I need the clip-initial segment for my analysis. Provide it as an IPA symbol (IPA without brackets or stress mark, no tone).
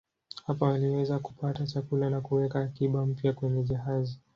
h